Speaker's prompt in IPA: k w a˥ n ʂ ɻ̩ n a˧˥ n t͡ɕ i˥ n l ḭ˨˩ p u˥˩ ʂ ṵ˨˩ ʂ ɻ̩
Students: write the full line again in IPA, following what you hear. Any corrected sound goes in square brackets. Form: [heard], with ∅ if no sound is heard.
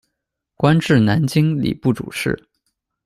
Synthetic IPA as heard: k w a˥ n [ʈ͡ʂ] ɻ̩ n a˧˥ n t͡ɕ i˥ [ŋ] l ḭ˨˩ p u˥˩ [ʈ͡ʂ] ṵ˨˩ ʂ ɻ̩